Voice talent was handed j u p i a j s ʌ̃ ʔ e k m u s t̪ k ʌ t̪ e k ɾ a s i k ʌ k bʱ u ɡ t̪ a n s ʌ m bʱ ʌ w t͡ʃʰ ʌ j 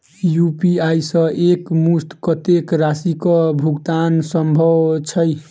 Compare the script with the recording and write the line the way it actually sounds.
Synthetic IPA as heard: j u p i a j s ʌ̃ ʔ e k m u s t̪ k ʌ t̪ e k ɾ a s i k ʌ bʱ u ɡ t̪ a n s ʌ m bʱ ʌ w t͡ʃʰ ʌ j